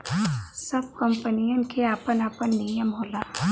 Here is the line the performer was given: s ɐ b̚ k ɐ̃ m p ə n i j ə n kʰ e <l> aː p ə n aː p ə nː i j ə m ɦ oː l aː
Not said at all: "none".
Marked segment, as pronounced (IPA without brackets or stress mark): none